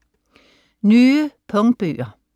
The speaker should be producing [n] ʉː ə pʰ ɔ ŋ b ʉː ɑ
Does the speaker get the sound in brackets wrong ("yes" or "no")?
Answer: no